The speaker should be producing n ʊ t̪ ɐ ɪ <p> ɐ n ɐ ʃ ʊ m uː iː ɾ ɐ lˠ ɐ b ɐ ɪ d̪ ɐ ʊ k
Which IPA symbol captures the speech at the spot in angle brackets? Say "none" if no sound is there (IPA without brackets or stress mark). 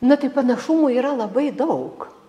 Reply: p